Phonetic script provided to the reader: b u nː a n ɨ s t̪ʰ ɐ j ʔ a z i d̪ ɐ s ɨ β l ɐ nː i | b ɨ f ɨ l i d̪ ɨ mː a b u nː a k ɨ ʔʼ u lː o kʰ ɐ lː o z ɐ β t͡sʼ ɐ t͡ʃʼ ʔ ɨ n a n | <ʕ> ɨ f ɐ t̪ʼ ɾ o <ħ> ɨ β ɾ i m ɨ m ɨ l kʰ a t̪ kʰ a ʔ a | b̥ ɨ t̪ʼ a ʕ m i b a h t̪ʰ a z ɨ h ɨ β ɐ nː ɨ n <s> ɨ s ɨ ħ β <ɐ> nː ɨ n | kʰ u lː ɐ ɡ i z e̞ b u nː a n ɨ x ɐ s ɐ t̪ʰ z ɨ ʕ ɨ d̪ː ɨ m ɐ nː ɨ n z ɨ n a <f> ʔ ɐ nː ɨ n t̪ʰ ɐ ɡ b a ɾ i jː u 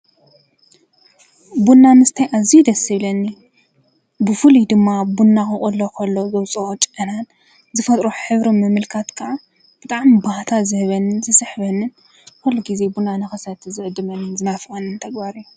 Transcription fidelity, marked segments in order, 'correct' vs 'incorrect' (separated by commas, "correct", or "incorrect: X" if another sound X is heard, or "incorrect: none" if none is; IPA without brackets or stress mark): incorrect: z, correct, incorrect: z, correct, correct